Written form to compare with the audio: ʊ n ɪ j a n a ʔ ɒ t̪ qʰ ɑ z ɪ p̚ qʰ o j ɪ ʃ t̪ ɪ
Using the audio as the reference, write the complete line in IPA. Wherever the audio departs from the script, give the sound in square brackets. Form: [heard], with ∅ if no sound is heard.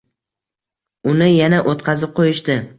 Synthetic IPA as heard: ʊ n ɪ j a n a ʔ [o] t̪ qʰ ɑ z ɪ p̚ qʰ o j ɪ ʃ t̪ ɪ